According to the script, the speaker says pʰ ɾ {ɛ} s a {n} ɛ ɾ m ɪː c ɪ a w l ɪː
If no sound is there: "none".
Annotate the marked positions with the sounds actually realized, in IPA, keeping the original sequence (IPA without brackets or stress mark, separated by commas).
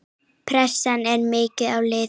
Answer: ɛ, n